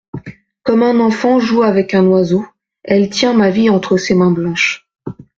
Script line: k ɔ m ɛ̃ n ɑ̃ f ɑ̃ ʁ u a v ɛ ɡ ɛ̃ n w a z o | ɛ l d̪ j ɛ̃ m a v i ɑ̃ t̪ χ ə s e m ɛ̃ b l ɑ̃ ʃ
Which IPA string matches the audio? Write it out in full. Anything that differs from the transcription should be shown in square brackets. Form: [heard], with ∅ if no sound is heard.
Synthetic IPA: k ɔ m ɛ̃ n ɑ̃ f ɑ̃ [ʒ] u a v ɛ [k] ɛ̃ n w a z o | ɛ l [t̪] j ɛ̃ m a v i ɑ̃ t̪ χ ə s e m ɛ̃ b l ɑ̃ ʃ